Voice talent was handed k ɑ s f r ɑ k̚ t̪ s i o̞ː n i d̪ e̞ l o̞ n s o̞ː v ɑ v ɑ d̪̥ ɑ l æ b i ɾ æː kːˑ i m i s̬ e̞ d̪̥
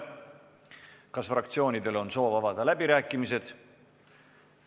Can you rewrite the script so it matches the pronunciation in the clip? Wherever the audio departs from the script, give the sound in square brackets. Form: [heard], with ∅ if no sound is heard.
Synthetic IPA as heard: k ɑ s f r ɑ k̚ t̪ s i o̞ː n i d̪ e̞ l o̞ n s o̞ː v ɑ v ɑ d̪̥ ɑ l æ b i ɾ æː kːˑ i m i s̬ e̞ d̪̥